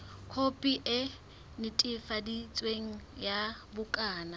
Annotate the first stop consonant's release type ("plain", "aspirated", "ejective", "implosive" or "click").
aspirated